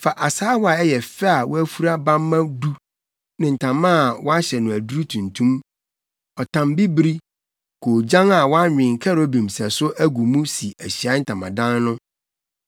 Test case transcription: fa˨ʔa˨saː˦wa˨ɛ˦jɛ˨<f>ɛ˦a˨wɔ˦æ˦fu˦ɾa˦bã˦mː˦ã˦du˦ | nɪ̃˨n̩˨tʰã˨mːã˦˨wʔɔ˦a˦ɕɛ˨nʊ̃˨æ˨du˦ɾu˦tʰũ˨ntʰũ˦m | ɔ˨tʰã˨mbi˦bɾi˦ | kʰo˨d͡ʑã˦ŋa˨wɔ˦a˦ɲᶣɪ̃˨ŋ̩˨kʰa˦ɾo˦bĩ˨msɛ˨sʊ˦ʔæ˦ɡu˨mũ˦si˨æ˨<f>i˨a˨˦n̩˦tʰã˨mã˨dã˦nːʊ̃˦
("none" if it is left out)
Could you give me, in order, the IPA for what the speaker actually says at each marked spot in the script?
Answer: f, ɕ

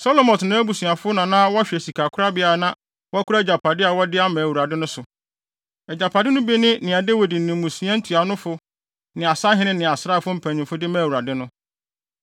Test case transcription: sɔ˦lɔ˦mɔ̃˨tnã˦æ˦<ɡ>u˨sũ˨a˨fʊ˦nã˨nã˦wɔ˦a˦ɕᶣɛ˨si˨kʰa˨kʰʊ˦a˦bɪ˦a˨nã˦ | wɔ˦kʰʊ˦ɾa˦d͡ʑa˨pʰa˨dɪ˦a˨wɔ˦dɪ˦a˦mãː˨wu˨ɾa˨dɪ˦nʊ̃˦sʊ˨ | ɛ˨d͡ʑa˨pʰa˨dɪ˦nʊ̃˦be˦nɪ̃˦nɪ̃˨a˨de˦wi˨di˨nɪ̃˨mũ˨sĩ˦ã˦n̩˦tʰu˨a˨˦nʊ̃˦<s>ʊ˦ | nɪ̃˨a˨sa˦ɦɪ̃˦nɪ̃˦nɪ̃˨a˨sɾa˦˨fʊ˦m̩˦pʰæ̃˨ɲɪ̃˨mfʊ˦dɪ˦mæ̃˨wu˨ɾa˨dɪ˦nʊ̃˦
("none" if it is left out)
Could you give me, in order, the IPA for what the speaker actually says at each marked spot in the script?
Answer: b, f

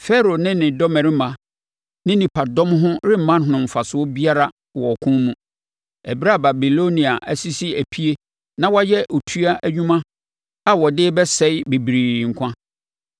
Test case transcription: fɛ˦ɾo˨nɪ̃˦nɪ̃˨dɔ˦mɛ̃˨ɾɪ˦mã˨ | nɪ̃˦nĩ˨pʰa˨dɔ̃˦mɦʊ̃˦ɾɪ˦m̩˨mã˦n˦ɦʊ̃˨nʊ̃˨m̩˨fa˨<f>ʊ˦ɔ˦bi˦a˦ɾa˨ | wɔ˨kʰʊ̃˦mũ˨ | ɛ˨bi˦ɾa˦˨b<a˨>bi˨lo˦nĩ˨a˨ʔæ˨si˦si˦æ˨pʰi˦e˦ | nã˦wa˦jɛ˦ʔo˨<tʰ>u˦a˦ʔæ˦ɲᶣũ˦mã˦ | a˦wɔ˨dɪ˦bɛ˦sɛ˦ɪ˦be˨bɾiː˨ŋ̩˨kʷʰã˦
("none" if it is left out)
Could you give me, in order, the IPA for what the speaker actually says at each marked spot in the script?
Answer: s, a˨, tʰ

